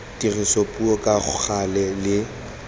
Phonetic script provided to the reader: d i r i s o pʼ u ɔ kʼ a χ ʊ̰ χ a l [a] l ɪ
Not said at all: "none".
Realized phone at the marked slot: ɛ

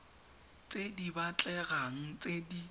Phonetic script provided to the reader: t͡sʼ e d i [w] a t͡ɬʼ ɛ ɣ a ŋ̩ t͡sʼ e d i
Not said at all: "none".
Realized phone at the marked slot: b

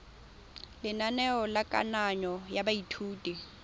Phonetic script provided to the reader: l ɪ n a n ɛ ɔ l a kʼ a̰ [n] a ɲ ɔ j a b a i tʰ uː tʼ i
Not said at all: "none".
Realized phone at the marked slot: n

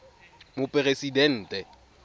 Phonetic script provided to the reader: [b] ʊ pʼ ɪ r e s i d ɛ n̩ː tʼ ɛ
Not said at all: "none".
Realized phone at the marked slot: m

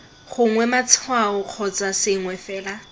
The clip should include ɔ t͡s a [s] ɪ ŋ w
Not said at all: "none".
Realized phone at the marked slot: s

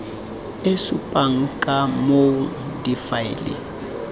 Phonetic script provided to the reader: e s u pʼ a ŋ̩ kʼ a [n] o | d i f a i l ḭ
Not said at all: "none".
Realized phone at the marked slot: m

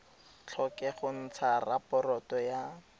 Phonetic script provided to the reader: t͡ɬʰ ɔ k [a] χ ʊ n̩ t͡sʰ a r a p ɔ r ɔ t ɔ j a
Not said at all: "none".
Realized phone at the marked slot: ɛ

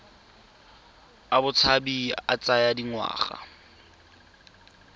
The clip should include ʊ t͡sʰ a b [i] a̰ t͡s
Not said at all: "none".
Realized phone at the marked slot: i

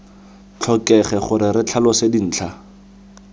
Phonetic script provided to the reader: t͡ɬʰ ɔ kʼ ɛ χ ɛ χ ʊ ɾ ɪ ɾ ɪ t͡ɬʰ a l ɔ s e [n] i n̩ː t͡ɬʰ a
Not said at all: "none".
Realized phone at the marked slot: d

